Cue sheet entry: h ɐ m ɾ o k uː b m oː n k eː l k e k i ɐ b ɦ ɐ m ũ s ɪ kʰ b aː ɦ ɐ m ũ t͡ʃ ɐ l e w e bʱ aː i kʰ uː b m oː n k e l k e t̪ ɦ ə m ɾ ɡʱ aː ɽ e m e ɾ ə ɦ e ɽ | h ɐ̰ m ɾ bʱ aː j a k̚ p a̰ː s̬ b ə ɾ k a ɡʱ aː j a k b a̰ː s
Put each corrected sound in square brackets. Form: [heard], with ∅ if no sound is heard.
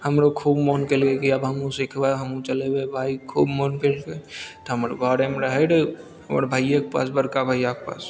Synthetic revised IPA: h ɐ m ɾ o [kʰ] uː b m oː n k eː l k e k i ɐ b ɦ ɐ m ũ s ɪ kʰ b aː ɦ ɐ m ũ t͡ʃ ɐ l e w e bʱ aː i kʰ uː b m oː n k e l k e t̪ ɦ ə m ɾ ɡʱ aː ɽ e m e ɾ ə ɦ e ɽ | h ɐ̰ m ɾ bʱ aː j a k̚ p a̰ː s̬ b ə ɾ k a [bʱ] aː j a k [p] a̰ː s